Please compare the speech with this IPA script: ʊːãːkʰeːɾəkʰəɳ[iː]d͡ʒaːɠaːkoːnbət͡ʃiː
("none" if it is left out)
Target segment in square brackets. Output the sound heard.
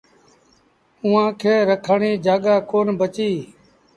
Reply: iː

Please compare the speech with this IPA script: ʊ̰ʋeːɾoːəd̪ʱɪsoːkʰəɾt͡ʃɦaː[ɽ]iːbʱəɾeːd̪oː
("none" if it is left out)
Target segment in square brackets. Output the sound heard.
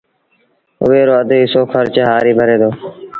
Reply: ɾ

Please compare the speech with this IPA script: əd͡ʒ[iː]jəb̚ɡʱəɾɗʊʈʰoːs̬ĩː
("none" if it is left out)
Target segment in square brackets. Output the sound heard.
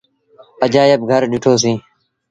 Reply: aː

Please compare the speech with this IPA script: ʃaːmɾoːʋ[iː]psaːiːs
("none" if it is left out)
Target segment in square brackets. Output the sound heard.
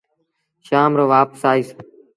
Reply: aː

